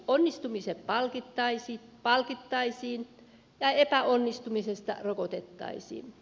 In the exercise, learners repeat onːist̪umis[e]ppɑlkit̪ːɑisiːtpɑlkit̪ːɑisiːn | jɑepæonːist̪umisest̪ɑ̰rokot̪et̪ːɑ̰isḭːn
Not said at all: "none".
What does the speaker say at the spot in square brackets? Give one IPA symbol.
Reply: e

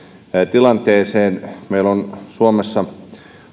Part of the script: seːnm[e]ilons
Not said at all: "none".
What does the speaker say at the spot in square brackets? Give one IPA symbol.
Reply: e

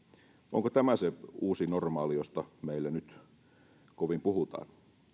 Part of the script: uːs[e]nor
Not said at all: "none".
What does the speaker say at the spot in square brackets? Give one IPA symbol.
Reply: i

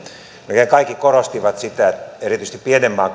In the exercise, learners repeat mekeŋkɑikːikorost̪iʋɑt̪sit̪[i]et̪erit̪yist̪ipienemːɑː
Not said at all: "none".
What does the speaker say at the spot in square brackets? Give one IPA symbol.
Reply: æ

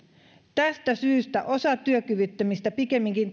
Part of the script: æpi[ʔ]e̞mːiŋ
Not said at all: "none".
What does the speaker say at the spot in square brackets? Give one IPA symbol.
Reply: k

